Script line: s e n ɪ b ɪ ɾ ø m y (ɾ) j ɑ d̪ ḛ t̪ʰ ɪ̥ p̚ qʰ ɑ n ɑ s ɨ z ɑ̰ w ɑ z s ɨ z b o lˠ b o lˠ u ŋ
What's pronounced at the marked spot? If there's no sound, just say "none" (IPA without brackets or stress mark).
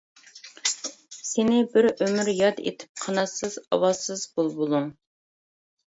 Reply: ɾ